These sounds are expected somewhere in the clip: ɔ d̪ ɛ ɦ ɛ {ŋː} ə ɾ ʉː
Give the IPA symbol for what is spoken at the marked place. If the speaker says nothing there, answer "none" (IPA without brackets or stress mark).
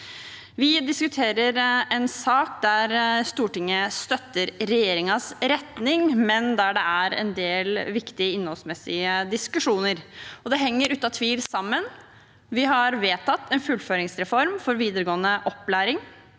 ŋː